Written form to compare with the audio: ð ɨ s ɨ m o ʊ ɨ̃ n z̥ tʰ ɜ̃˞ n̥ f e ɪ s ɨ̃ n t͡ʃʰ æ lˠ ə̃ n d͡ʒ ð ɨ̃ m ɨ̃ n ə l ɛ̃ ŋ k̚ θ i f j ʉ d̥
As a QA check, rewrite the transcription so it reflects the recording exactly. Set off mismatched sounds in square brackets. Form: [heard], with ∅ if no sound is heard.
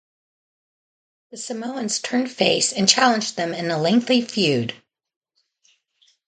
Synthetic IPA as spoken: ð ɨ s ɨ m o ʊ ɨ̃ n z̥ tʰ ɜ̃˞ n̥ f e ɪ s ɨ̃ n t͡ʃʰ æ lˠ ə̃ n d͡ʒ ð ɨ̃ m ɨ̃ n ə l ɛ̃ ŋ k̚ θ i f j ʉ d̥